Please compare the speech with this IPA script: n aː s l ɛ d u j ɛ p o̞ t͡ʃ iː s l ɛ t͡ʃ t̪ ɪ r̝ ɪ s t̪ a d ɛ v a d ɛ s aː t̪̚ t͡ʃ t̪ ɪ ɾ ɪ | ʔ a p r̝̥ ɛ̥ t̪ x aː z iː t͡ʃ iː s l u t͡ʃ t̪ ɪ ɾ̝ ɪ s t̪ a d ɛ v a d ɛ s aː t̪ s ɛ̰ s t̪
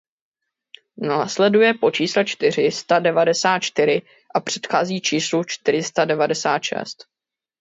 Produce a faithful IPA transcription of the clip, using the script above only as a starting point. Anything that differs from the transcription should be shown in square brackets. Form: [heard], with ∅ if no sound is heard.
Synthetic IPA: n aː s l ɛ d u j ɛ p o̞ t͡ʃ iː s l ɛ t͡ʃ t̪ ɪ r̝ ɪ s t̪ a d ɛ v a d ɛ s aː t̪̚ t͡ʃ t̪ ɪ ɾ ɪ | ʔ a p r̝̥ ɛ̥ t̪ x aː z iː t͡ʃ iː s l u t͡ʃ t̪ ɪ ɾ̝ ɪ s t̪ a d ɛ v a d ɛ s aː t̪ [ʃ] ɛ̰ s t̪